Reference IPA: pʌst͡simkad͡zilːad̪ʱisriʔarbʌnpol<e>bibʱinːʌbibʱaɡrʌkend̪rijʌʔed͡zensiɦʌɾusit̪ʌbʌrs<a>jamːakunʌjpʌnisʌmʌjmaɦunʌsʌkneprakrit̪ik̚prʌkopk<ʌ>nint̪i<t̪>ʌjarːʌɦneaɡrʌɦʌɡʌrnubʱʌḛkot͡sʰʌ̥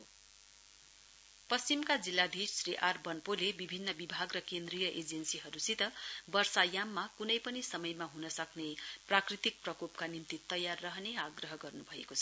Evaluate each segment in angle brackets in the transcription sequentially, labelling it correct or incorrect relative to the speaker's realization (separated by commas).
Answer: correct, correct, incorrect, correct